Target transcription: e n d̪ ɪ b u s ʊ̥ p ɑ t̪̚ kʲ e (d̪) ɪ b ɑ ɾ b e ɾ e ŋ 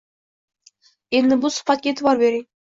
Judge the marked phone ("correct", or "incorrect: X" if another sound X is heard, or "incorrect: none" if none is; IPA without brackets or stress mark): incorrect: t̪